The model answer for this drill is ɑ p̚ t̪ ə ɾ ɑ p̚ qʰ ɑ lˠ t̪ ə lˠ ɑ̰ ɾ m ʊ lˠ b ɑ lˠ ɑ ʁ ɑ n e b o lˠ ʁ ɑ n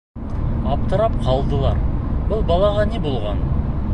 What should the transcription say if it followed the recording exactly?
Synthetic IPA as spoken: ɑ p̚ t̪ ə ɾ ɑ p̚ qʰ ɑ lˠ d̪ ə lˠ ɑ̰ ɾ b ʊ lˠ b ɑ lˠ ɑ ʁ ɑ n e b o lˠ ʁ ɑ n